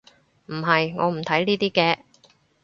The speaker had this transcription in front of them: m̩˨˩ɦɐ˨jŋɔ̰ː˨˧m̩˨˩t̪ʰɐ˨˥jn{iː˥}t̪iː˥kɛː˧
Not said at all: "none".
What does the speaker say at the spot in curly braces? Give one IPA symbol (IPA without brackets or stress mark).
iː˥